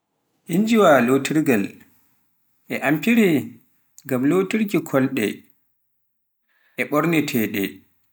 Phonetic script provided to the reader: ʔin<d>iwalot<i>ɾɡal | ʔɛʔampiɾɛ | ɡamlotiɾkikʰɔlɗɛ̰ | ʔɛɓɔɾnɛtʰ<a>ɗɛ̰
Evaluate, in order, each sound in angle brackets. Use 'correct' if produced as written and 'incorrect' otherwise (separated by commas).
incorrect, correct, incorrect